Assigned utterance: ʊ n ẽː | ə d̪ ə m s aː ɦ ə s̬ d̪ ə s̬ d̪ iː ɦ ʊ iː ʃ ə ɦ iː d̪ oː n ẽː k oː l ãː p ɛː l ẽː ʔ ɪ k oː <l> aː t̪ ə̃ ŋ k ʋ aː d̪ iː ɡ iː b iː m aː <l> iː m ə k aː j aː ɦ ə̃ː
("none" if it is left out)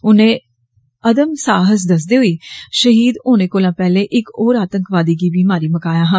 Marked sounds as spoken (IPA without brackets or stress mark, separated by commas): ɾ, ɾ